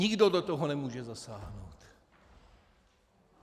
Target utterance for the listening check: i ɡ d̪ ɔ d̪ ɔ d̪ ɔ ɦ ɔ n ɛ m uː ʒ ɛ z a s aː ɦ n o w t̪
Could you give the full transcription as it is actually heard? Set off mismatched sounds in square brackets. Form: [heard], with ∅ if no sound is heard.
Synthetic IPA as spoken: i ɡ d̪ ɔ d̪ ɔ [t̪] ɔ ɦ ɔ n ɛ m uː ʒ ɛ z a s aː ɦ n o w t̪